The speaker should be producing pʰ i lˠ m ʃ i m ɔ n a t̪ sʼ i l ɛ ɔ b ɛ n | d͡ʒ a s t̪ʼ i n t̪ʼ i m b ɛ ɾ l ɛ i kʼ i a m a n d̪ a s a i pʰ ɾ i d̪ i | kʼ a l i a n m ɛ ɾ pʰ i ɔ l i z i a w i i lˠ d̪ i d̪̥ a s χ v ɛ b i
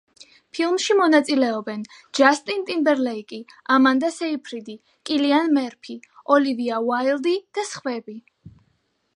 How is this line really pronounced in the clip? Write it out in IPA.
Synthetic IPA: pʰ i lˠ m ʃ i m ɔ n a t̪ sʼ i l ɛ ɔ b ɛ n | d͡ʒ a s t̪ʼ i n t̪ʼ i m b ɛ ɾ l ɛ i kʼ i a m a n d̪ a s ɛ i pʰ ɾ i d̪ i | kʼ i l i a n m ɛ ɾ pʰ i ɔ l i v i a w a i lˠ d̪ i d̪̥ a s χ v ɛ b i